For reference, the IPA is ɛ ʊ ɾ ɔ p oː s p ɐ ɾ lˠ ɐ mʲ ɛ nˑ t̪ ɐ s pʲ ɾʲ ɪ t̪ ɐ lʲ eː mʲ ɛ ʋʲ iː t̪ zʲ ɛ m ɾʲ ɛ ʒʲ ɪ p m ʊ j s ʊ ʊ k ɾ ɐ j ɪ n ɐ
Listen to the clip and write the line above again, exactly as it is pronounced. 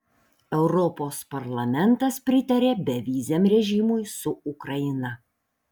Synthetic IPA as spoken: ɛ ʊ ɾ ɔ p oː s p ɐ ɾ lˠ ɐ mʲ ɛ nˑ t̪ ɐ s pʲ ɾʲ ɪ t̪ ɐ ɾʲ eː bʲ ɛ ʋʲ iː zʲ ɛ m ɾʲ ɛ ʒʲ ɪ m ʊ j s ʊ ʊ k ɾ ɐ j ɪ n ɐ